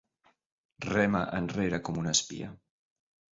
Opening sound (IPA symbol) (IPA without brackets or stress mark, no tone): r